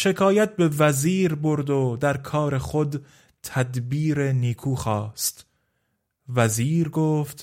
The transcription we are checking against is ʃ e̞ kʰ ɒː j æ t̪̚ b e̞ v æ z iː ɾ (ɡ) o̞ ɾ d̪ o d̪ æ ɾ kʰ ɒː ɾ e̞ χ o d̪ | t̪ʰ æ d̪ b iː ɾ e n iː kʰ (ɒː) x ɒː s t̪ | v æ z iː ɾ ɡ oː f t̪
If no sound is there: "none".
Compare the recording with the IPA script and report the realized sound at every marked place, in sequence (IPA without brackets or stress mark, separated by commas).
b, uː